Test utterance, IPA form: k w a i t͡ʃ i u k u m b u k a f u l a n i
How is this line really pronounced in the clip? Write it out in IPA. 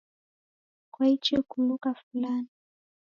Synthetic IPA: k w a i t͡ʃ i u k u m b u k a f u l a n i

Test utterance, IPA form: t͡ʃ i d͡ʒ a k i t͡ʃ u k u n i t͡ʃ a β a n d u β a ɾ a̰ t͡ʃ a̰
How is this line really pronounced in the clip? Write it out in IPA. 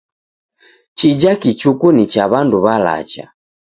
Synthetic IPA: t͡ʃ i d͡ʒ a k i t͡ʃ u k u n i t͡ʃ a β a n d u β a l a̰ t͡ʃ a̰

